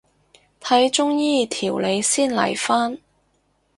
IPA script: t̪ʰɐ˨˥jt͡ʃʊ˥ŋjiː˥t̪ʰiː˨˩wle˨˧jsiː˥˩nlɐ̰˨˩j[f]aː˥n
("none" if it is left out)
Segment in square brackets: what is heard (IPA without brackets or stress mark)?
f